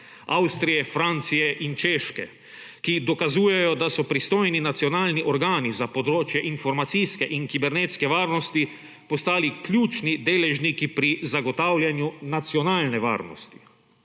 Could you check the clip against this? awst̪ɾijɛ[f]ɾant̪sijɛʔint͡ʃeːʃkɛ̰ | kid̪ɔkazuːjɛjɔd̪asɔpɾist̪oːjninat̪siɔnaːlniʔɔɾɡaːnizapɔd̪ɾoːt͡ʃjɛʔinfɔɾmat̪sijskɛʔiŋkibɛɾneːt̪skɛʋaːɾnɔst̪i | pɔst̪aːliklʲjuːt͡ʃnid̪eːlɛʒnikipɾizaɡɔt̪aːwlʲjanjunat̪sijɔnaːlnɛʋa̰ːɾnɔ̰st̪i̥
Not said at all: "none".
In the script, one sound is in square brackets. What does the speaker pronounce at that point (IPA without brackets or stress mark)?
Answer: f